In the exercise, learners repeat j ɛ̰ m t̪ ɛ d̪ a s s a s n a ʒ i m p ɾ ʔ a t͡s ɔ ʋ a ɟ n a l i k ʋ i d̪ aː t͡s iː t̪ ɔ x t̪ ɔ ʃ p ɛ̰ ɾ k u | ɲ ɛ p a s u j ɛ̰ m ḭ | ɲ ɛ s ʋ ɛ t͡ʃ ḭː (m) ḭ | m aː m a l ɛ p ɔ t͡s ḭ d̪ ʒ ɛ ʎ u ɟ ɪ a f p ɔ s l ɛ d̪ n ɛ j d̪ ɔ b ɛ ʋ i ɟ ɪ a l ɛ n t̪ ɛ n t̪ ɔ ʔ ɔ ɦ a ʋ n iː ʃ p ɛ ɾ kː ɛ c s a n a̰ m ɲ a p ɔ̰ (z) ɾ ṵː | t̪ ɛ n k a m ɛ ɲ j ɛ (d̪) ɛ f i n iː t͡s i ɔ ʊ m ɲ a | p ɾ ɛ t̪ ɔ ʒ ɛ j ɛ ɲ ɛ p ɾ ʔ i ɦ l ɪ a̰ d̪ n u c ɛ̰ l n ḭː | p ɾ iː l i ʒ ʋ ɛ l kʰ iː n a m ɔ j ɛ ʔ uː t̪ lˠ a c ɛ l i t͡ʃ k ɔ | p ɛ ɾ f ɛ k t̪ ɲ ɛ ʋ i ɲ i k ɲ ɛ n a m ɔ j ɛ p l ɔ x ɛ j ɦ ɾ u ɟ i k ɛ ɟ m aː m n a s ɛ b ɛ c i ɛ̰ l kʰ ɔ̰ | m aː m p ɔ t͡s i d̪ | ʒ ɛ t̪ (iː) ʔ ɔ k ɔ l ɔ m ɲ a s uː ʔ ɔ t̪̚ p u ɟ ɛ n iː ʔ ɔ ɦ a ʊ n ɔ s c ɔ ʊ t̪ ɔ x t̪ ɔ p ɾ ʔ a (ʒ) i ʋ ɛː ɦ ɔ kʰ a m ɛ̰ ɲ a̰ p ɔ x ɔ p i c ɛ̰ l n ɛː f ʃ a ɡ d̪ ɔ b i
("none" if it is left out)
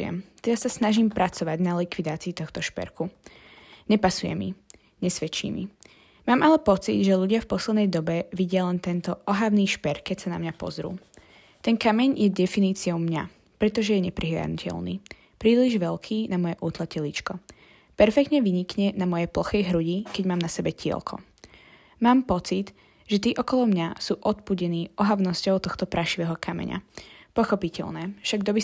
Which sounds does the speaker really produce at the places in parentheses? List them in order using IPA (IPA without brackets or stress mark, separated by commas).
m, z, d̪, iː, ʃ